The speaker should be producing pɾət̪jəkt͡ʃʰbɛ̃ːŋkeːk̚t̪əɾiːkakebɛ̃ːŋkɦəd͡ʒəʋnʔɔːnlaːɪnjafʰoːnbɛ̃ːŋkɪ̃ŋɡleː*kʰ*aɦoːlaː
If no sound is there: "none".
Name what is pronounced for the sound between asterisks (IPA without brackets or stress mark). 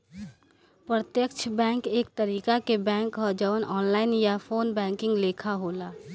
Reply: kʰ